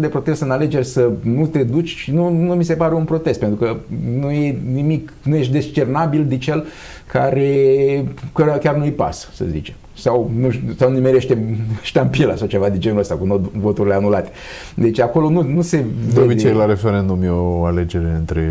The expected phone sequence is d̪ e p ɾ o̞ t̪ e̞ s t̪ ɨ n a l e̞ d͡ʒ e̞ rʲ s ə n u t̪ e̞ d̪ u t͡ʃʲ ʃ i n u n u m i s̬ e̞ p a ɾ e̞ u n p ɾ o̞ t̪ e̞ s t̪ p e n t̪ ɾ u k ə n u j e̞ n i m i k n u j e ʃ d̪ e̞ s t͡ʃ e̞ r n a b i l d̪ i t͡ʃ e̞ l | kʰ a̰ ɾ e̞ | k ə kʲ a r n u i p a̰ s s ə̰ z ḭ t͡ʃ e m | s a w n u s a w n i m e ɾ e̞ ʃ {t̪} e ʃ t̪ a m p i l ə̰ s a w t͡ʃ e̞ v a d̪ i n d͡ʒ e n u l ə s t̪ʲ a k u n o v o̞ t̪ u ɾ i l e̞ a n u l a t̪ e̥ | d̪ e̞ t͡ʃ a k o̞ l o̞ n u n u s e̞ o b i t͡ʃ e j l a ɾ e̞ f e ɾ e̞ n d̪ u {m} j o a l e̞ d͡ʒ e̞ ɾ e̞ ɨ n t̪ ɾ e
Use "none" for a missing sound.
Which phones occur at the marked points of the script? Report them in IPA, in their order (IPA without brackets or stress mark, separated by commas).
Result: t̪, m